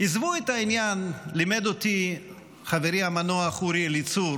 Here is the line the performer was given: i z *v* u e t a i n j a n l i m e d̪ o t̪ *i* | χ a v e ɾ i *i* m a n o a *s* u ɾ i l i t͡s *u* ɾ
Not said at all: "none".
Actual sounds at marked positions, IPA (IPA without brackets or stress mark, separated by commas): v, i, a, χ, u